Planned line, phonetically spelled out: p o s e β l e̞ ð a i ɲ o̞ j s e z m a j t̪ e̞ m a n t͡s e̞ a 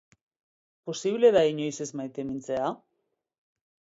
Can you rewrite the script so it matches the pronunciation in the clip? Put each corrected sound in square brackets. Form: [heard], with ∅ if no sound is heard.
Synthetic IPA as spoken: p o s [i] β l e̞ ð a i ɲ o̞ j s e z m a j t̪ e̞ m [i] n t͡s e̞ a